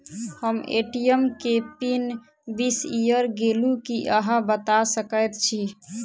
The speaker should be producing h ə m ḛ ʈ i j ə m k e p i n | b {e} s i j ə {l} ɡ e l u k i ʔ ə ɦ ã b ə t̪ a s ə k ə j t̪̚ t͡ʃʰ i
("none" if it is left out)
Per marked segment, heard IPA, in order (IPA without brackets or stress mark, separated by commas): i, ɾ